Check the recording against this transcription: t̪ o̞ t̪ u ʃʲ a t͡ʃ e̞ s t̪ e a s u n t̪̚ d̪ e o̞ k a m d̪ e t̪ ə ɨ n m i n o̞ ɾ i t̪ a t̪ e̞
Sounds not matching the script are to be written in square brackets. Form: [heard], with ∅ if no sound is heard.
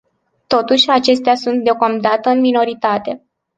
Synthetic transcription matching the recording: t̪ o̞ t̪ u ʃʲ a t͡ʃ e̞ s t̪ e a s u n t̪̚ d̪ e o̞ k a m d̪ [a] t̪ ə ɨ n m i n o̞ ɾ i t̪ a t̪ e̞